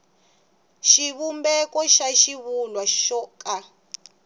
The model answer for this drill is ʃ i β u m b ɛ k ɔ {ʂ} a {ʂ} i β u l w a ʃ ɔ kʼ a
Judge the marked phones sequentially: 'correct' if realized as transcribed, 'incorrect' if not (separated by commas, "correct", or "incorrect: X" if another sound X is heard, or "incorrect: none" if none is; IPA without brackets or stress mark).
incorrect: ʃ, incorrect: ʃ